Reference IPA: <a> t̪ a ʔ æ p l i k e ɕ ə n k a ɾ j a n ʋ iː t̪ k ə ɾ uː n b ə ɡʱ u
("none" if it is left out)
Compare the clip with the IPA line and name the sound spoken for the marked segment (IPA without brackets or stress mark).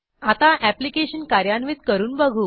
a